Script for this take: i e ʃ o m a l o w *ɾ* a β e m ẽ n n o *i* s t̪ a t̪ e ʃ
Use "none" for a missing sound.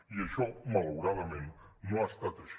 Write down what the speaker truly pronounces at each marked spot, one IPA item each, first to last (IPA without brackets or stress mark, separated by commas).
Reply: ɾ, a